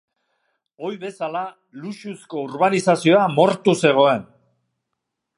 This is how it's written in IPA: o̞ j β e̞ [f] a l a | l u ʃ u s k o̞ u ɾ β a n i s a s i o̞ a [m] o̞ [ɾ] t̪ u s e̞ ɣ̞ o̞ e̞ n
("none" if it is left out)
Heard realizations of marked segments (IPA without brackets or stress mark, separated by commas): s, m, ɾ